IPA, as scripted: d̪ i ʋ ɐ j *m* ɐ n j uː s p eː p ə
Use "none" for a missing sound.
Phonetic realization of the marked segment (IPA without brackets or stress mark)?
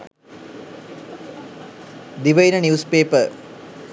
n